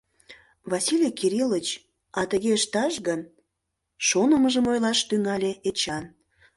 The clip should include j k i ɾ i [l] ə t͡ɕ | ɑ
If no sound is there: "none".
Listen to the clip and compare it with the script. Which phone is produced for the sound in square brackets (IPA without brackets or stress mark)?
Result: l